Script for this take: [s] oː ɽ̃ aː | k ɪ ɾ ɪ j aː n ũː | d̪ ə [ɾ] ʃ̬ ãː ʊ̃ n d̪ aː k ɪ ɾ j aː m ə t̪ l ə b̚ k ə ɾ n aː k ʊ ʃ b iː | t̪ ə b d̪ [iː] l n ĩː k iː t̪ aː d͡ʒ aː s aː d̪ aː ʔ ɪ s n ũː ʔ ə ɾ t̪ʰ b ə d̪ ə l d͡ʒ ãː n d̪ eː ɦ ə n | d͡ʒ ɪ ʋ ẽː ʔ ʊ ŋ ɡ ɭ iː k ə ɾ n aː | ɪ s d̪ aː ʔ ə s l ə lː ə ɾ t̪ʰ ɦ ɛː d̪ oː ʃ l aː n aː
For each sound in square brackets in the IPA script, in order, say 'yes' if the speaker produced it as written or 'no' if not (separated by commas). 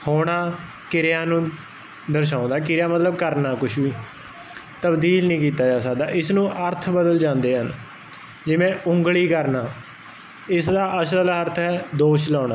no, yes, yes